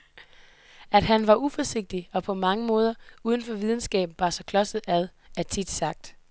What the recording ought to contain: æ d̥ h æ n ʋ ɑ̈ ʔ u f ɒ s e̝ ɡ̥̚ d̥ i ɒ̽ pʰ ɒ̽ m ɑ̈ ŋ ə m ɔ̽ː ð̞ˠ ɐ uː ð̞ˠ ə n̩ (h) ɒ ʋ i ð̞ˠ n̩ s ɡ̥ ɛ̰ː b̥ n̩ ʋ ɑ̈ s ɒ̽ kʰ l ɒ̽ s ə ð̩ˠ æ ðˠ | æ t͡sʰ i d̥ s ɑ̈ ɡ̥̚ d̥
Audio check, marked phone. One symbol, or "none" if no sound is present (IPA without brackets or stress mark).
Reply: f